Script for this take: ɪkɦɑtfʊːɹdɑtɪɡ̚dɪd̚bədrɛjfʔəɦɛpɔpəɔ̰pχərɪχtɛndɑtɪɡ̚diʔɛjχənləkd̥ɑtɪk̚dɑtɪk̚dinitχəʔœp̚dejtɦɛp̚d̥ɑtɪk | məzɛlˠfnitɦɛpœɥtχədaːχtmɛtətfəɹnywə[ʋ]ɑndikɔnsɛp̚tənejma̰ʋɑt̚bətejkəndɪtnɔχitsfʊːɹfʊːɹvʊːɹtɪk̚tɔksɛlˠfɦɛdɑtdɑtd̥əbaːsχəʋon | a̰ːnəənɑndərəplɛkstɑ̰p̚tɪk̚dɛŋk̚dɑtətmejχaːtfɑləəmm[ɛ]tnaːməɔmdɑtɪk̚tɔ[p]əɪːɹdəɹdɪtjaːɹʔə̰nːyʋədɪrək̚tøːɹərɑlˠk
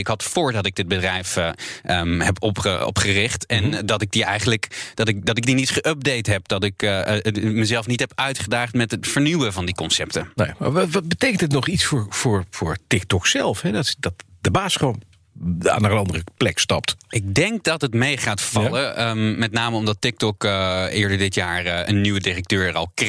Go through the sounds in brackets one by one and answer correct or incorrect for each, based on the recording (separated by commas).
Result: incorrect, correct, incorrect